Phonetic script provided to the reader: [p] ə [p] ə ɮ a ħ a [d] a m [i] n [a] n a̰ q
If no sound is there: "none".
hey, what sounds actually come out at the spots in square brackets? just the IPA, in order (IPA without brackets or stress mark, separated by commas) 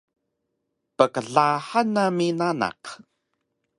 p, k, n, i, a